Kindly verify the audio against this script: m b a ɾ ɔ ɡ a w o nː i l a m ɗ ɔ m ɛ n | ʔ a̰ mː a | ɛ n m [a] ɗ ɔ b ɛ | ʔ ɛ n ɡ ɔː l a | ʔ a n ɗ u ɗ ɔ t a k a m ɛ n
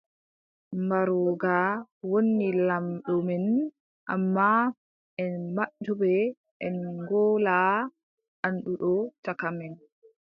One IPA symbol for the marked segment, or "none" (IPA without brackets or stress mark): a